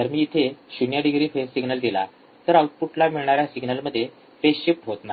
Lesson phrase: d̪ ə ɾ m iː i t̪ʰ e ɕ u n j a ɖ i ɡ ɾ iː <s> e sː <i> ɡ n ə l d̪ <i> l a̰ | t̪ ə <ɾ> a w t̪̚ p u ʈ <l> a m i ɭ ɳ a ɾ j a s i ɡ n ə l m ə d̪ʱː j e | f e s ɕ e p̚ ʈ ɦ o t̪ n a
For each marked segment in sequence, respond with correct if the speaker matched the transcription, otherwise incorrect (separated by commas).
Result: incorrect, correct, correct, correct, correct